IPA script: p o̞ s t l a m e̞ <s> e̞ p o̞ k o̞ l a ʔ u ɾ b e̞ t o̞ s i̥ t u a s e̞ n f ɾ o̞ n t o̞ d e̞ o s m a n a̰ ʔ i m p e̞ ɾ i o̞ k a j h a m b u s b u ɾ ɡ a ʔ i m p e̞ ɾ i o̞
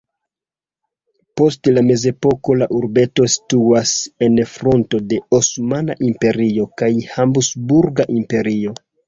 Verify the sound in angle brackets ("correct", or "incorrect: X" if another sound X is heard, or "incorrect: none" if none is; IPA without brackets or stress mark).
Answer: incorrect: z